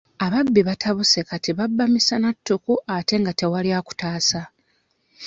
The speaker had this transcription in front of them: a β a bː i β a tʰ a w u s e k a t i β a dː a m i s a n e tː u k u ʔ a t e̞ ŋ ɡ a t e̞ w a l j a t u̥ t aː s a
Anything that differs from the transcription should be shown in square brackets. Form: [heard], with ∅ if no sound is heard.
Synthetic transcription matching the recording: a β a bː i β a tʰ a [β] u s e k a t i β a [bː] a m i s a n [a] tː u k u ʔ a t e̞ ŋ ɡ a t e̞ w a l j a [k] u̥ t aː s a